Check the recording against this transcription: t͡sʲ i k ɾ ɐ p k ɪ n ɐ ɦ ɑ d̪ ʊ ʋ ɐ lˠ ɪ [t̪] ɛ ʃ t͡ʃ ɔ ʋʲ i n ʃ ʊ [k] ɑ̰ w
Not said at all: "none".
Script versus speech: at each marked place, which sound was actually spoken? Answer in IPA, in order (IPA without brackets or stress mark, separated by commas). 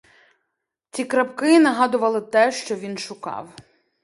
t̪, k